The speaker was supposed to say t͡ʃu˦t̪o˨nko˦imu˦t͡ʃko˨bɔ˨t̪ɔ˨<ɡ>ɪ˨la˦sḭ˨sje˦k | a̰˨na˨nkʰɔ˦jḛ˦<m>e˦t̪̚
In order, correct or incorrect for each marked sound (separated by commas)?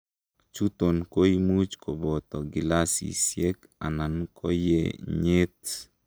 correct, incorrect